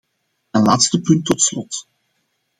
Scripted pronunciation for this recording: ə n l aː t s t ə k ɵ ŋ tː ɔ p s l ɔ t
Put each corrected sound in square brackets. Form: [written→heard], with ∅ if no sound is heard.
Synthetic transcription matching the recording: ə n l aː t s t ə [k→p] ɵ [ŋ→n] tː ɔ [p→t] s l ɔ t